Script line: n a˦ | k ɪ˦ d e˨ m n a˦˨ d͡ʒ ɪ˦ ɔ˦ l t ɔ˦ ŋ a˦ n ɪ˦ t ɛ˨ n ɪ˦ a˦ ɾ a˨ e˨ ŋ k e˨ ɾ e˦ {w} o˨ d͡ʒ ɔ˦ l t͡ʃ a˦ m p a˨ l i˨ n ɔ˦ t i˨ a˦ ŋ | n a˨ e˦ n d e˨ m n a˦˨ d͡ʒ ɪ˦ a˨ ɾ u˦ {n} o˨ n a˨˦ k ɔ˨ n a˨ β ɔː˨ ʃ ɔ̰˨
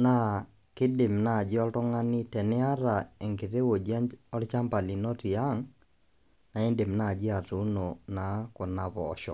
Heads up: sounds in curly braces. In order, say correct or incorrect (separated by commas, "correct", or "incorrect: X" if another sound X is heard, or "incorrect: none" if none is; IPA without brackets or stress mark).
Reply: correct, correct